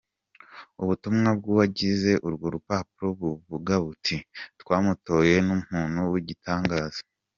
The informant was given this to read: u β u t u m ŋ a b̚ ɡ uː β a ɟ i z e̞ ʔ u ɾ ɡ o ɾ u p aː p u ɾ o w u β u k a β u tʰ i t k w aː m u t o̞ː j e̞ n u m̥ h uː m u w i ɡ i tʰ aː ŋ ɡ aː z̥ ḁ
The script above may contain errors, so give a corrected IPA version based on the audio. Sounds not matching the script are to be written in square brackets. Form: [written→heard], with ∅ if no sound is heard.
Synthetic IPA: u β u t u m ŋ a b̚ ɡ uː β a ɟ i z e̞ ʔ u ɾ ɡ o ɾ u p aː p u ɾ o [w→β] u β u [k→ɡ] a β u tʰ i t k w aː m u t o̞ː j e̞ n u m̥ h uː [m→n] u w i [ɡ→ɟ] i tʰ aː ŋ ɡ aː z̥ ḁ